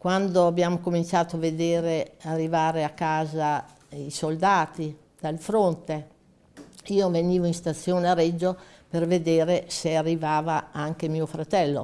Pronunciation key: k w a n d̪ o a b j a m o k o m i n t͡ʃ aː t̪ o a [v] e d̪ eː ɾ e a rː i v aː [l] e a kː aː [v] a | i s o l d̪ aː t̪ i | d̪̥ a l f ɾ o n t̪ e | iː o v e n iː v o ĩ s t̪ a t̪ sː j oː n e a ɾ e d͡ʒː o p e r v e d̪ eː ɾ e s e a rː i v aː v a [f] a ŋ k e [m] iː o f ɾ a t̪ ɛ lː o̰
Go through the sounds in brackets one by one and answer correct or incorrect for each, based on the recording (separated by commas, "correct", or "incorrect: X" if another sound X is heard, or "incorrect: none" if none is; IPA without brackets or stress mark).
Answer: correct, incorrect: ɾ, incorrect: z, incorrect: none, correct